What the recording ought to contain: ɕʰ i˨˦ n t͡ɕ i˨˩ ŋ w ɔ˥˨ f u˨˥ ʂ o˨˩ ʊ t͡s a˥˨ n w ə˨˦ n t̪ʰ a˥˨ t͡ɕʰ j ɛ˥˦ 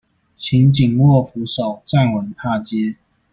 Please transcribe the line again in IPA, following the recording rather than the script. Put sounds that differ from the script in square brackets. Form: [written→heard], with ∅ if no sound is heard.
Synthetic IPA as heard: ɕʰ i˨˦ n t͡ɕ i˨˩ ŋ w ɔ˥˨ f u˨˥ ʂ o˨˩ ʊ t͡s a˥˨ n w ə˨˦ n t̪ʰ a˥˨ [t͡ɕʰ→t͡ɕ] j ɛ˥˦